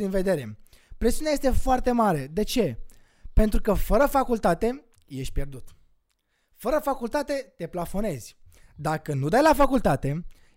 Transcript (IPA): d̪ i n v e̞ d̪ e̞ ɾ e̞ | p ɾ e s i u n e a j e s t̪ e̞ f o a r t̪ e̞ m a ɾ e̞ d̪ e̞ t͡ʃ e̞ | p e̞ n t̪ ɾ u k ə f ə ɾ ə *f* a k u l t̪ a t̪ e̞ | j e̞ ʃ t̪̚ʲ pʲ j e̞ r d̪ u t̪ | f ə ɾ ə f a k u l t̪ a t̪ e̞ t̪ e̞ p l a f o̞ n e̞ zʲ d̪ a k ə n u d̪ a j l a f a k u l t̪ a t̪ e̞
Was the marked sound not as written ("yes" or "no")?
no